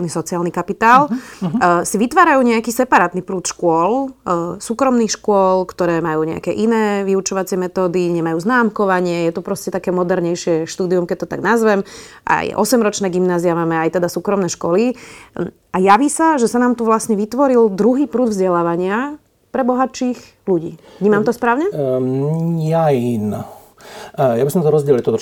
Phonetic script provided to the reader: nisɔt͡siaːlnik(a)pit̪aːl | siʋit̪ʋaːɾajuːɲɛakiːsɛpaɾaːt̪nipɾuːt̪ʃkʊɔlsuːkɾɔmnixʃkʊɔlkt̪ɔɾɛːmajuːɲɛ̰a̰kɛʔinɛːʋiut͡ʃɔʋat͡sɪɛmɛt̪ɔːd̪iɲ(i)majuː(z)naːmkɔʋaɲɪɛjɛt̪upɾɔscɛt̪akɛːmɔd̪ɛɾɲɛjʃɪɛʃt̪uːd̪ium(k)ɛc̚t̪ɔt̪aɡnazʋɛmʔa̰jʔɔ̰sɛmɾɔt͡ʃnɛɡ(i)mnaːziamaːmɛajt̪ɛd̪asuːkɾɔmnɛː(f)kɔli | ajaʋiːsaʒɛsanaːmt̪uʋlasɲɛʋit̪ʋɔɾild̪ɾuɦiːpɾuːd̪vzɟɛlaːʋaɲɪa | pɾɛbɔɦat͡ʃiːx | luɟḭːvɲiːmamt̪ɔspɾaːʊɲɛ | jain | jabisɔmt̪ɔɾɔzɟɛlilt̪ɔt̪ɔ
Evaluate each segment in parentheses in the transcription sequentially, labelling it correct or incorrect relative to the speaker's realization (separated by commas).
correct, incorrect, correct, correct, correct, incorrect